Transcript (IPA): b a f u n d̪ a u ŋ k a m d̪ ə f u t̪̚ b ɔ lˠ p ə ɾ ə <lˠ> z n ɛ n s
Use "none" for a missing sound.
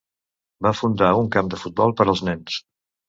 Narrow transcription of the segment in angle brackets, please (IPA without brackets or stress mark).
lˠ